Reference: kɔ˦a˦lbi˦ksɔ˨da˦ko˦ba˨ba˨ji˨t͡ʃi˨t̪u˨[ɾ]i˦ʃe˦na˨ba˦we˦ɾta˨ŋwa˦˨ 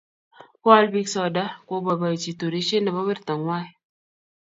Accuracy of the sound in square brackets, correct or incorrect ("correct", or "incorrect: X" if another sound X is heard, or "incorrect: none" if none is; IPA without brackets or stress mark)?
correct